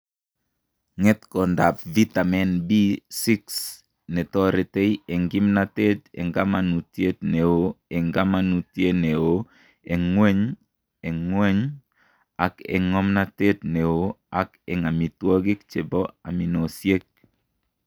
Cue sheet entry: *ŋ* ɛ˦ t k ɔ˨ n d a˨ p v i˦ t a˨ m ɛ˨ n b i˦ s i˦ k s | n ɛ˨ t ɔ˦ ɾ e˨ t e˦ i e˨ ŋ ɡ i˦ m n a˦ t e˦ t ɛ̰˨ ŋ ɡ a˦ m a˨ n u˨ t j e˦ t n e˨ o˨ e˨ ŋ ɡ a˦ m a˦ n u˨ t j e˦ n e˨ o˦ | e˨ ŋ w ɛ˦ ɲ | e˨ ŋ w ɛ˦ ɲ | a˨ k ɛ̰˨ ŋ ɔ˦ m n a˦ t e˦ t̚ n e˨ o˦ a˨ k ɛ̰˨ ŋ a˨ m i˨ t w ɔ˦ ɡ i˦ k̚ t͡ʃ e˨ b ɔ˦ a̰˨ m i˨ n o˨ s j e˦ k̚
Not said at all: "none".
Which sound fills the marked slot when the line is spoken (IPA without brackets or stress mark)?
ŋ